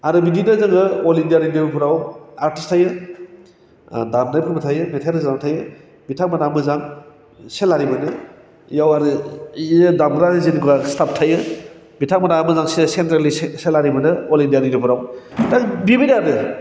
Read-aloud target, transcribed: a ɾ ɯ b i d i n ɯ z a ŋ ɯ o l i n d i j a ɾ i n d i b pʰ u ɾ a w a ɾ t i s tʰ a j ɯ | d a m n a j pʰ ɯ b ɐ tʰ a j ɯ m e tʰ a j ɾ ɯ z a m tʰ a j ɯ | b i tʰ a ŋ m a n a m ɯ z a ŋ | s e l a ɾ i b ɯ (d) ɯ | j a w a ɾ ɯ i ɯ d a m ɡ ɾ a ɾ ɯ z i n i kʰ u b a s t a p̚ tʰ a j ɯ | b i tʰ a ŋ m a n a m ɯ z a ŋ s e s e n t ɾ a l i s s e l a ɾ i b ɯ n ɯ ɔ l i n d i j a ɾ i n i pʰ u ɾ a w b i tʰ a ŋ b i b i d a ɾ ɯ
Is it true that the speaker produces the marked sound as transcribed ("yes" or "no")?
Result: no